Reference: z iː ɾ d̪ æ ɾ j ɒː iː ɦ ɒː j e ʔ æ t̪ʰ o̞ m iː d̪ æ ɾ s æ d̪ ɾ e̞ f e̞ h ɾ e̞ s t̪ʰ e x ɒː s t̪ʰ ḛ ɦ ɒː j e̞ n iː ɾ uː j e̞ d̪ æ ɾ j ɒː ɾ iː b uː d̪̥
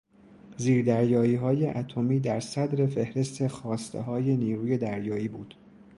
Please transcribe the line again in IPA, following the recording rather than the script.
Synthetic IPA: z iː ɾ d̪ æ ɾ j ɒː iː ɦ ɒː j e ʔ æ t̪ʰ o̞ m iː d̪ æ ɾ s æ d̪ ɾ e̞ f e̞ h ɾ e̞ s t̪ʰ e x ɒː s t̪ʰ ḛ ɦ ɒː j e̞ n iː ɾ uː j e̞ d̪ æ ɾ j ɒː iː b uː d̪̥